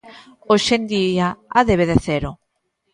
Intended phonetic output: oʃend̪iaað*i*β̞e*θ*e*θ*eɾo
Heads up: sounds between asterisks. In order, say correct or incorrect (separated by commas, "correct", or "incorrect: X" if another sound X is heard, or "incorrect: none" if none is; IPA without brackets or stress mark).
incorrect: e, incorrect: ð, correct